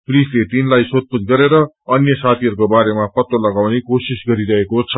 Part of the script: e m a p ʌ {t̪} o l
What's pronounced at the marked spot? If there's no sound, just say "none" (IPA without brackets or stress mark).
t̪